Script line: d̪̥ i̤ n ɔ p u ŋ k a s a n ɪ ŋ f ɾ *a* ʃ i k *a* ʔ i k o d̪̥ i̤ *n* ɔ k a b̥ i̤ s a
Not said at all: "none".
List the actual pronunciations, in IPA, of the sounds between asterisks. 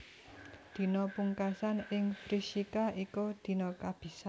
i, a, n

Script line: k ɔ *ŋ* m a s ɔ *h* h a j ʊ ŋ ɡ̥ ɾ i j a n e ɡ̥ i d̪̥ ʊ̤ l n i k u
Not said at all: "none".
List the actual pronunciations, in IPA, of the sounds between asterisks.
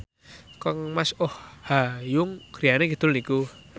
ŋ, h

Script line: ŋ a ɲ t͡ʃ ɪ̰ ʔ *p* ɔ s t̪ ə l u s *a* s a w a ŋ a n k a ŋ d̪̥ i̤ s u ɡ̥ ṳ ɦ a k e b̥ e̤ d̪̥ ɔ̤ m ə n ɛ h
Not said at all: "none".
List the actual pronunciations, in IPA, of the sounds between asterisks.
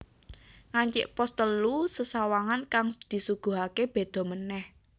p, ə

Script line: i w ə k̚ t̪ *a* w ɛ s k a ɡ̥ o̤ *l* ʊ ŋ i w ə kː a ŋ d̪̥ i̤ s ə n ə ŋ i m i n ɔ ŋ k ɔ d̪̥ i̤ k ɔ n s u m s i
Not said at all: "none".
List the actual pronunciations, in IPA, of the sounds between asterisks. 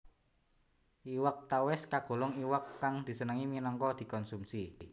a, l

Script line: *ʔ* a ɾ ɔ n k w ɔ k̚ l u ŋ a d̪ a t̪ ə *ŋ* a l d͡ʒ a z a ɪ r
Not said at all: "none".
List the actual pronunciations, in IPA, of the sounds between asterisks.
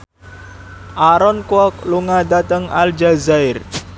ʔ, ŋ

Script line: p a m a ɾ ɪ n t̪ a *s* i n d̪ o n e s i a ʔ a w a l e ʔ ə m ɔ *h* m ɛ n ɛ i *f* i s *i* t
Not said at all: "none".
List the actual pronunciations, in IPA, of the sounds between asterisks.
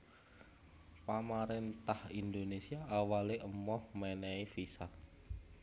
h, h, f, a

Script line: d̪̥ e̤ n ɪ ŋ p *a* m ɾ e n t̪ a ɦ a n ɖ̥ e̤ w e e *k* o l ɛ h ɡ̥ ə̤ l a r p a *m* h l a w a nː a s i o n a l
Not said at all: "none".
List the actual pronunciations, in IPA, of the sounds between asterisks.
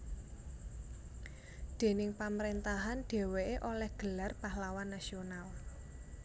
a, ʔ, none

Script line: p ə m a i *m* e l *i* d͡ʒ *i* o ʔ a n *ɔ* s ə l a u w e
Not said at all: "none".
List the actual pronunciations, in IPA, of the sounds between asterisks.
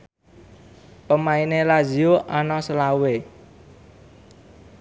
n, a, i, ɔ

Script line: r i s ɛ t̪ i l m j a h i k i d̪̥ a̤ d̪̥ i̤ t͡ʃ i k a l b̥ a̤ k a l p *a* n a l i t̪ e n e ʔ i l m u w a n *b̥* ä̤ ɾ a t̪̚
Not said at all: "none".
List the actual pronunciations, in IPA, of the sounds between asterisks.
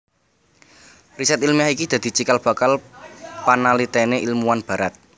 a, b̥

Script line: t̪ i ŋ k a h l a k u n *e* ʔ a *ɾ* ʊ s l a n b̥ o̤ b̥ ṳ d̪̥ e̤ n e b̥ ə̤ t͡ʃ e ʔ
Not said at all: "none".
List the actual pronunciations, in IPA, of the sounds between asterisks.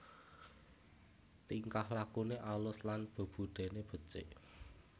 e, l

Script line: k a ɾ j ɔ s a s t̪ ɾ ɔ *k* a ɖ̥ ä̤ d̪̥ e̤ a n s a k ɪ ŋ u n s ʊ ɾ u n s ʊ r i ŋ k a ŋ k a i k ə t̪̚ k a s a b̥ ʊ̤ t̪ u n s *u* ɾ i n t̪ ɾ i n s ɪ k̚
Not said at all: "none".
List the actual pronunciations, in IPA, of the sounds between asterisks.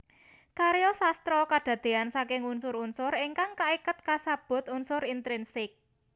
k, ʊ

